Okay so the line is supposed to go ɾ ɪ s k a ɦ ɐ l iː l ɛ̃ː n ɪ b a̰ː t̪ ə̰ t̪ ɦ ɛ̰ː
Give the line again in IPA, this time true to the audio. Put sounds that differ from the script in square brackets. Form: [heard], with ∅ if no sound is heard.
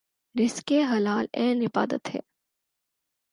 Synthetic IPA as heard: ɾ ɪ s k [e] ɦ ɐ l [aː] l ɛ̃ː n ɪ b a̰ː [d̪] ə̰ t̪ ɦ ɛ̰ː